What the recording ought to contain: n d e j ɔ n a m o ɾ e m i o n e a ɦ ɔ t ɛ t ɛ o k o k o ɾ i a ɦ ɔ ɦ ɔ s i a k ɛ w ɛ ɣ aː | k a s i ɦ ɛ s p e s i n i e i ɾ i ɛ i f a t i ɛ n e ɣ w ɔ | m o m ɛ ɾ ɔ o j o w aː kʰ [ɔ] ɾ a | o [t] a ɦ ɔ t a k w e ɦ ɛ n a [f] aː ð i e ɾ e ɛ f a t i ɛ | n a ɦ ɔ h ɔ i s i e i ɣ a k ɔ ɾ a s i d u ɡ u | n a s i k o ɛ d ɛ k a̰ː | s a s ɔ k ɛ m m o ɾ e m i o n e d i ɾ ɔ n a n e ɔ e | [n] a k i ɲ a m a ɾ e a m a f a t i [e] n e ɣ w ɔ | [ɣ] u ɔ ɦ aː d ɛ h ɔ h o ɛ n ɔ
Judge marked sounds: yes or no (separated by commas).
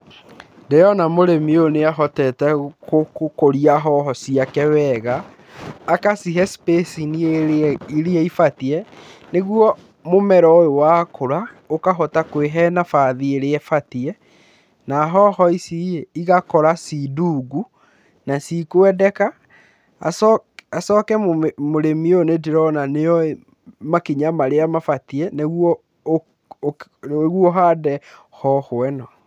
no, no, yes, no, no, yes